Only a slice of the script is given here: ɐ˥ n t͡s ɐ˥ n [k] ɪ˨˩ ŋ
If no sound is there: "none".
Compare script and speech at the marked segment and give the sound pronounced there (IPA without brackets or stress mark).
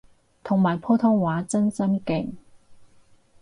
k